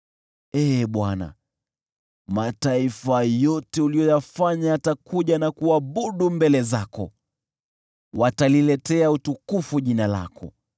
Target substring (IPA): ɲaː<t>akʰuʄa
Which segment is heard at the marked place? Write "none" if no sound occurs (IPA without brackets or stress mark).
t